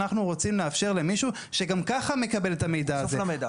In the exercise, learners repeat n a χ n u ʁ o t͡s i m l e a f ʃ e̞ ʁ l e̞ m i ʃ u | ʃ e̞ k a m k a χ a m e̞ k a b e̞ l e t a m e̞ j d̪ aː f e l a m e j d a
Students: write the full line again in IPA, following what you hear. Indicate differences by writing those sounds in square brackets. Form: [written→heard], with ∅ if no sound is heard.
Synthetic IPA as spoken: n a χ n u ʁ o t͡s i m l e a f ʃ e̞ ʁ l e̞ m i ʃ u | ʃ e̞ [k→ɡ] a m k a χ a m e̞ k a b e̞ l e t a m e̞ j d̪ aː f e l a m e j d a